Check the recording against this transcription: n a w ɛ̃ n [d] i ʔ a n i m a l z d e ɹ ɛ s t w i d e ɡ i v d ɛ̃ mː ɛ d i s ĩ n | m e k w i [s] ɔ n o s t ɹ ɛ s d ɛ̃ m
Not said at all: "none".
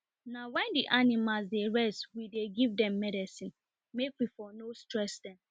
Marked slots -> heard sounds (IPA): d, f

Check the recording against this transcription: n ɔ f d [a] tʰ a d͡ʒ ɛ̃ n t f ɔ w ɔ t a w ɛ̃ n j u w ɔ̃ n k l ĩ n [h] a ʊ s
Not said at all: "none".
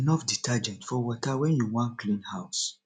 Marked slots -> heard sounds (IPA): i, h

